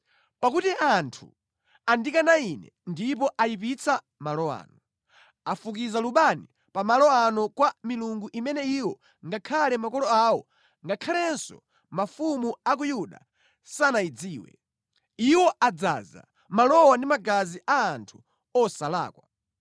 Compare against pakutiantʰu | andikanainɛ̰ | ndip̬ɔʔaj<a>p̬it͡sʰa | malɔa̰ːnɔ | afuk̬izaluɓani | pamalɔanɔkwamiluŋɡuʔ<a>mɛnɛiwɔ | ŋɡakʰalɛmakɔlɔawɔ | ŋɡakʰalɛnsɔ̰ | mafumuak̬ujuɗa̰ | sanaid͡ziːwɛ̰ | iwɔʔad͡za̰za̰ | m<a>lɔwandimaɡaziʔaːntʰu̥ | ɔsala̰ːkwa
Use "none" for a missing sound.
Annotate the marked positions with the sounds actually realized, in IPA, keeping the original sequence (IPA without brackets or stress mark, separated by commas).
i, i, a